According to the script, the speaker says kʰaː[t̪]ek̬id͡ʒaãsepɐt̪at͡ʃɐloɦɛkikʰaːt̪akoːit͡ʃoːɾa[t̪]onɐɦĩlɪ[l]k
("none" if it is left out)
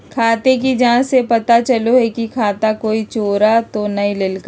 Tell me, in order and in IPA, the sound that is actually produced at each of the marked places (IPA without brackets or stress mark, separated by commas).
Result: t̪, t̪, l